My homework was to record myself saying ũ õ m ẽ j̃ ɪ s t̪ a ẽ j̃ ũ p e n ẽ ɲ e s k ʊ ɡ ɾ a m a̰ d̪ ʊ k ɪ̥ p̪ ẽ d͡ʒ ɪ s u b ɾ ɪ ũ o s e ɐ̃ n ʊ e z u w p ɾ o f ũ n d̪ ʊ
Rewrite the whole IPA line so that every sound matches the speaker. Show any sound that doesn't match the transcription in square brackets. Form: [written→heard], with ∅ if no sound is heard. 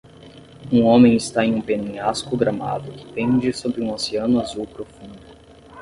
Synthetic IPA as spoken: ũ õ m ẽ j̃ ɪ s t̪ a ẽ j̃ ũ p e n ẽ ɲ [e→a] s k ʊ ɡ ɾ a m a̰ d̪ ʊ k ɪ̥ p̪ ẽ d͡ʒ ɪ s [u→o] b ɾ ɪ ũ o s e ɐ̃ n ʊ [e→a] z u w p ɾ o f ũ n d̪ ʊ